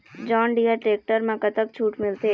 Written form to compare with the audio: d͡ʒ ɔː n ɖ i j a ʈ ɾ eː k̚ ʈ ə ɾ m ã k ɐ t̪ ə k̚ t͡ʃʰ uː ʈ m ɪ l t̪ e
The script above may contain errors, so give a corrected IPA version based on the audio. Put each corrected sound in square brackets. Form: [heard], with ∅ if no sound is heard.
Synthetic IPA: d͡ʒ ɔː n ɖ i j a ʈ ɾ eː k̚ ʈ ə ɾ m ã k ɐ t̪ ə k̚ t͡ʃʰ uː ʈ m ɪ l t̪ e